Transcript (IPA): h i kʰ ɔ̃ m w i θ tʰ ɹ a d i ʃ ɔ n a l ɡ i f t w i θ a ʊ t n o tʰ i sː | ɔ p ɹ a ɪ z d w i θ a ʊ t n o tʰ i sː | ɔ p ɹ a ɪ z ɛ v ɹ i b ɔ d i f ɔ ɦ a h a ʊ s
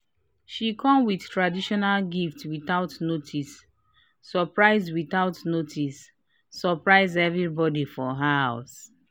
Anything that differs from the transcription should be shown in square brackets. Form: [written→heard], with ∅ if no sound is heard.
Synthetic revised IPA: [h→ʃ] i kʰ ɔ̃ m w i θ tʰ ɹ a d i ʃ ɔ n a l ɡ i f t w i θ a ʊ t n o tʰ i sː | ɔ p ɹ a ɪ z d w i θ a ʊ t n o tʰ i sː | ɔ p ɹ a ɪ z ɛ v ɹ i b ɔ d i f ɔ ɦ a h a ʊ s